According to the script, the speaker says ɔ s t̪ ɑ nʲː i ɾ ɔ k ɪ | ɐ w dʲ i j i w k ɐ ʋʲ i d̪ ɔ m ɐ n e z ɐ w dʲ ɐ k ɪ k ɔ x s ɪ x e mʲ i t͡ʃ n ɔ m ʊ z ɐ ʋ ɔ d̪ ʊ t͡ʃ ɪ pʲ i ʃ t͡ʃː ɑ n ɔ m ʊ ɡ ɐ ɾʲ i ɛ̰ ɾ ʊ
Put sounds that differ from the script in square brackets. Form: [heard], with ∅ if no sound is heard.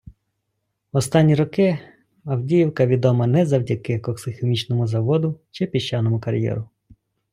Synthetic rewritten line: ɔ s t̪ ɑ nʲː i ɾ ɔ k ɪ | ɐ w dʲ i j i w k ɐ ʋʲ i d̪ ɔ m ɐ n [ɛ] z ɐ w dʲ ɐ k ɪ k ɔ [k] s ɪ x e mʲ i t͡ʃ n ɔ m ʊ z ɐ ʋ ɔ d̪ ʊ t͡ʃ ɪ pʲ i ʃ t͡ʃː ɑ n ɔ m ʊ [k] ɐ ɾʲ [j] ɛ̰ ɾ ʊ